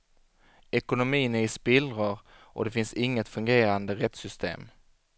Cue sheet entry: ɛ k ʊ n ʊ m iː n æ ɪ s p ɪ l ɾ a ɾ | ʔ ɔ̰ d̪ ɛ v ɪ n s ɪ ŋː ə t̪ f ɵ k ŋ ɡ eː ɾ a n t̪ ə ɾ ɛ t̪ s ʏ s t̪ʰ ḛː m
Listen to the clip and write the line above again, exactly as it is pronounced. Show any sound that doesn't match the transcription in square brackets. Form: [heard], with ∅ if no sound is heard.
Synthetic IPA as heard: ɛ k ʊ n ʊ m iː n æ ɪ s p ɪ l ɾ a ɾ | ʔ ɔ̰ d̪ ɛ [f] ɪ n s ɪ ŋː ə t̪ f ɵ [∅] ŋ ɡ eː ɾ a n [d̪] ə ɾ ɛ t̪ s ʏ s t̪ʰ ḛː m